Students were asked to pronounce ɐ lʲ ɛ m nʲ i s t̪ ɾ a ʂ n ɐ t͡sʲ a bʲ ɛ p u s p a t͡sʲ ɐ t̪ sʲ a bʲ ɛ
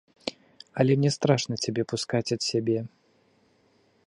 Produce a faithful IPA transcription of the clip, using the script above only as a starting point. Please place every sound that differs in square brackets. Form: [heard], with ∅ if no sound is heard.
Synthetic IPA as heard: ɐ lʲ ɛ m nʲ [ɛ] s t̪ ɾ a ʂ n ɐ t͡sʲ a bʲ ɛ p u s [k] a t͡sʲ ɐ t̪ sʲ a bʲ ɛ